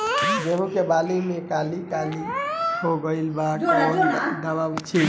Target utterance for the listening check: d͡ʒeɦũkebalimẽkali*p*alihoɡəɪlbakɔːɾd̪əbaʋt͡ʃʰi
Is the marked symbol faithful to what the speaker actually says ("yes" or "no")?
no